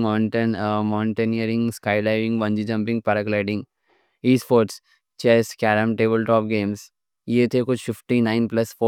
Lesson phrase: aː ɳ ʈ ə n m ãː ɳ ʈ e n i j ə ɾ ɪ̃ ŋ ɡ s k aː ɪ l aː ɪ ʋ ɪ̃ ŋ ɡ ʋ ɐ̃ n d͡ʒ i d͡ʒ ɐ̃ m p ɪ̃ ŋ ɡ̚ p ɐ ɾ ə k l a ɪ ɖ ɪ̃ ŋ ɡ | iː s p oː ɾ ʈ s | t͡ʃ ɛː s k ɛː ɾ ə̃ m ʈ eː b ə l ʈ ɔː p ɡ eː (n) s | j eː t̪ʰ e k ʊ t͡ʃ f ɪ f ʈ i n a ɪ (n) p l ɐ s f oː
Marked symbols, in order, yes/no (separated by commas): no, yes